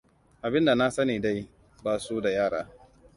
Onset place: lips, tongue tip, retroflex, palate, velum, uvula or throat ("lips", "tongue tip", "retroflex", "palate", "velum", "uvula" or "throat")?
throat